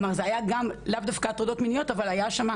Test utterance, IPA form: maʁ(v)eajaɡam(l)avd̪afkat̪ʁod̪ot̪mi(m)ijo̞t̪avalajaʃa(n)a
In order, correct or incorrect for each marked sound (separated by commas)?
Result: incorrect, correct, incorrect, incorrect